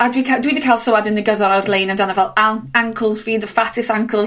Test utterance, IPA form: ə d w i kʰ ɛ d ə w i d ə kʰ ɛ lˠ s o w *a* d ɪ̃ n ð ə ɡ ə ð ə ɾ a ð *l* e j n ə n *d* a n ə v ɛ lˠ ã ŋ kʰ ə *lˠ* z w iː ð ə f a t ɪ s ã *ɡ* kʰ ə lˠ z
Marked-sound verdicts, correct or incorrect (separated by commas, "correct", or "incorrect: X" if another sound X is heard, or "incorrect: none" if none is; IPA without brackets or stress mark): correct, correct, correct, correct, incorrect: ŋ